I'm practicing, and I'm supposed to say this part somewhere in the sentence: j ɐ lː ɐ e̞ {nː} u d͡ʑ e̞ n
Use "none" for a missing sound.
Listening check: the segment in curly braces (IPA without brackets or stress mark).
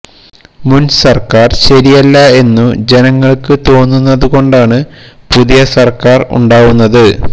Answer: nː